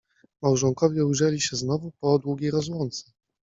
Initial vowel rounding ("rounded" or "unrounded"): unrounded